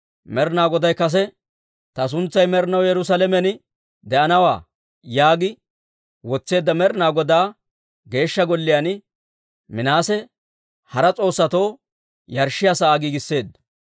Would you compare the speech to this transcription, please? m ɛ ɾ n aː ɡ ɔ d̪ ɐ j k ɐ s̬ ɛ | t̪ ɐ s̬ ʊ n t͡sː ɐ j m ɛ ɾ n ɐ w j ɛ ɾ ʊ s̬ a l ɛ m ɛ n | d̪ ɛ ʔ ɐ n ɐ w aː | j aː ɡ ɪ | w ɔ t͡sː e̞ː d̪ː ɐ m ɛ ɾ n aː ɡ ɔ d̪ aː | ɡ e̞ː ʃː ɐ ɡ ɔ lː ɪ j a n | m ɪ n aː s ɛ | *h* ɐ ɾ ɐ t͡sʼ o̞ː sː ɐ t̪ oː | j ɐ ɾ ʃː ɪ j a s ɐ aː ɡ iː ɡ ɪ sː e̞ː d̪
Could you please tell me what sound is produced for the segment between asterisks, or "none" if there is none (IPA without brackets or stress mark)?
h